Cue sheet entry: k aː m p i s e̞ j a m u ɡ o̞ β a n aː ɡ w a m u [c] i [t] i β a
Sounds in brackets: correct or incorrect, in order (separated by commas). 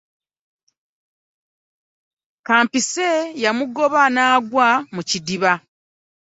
correct, incorrect